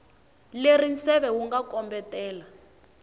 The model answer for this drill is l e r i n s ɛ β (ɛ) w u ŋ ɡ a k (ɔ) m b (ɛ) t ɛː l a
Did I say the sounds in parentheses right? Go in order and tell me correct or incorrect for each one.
correct, correct, correct

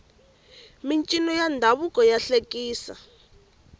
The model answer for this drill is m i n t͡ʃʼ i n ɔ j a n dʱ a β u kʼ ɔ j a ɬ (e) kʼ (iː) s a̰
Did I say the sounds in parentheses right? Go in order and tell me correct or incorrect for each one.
correct, correct

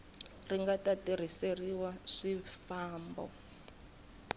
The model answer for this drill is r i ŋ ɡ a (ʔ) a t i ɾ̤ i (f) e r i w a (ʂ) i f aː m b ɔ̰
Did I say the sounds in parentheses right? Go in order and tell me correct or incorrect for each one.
incorrect, incorrect, correct

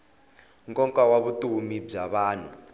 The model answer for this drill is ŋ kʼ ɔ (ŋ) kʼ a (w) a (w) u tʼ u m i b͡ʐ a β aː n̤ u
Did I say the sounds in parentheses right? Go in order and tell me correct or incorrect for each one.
correct, correct, incorrect

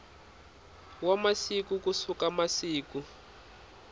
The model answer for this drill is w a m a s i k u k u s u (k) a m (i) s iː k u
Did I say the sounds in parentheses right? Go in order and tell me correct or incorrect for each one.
correct, incorrect

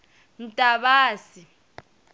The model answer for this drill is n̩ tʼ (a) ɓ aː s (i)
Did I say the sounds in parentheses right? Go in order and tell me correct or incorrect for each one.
correct, correct

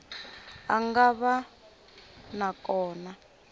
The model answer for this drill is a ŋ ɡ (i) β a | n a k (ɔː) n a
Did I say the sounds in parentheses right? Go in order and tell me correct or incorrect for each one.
incorrect, correct

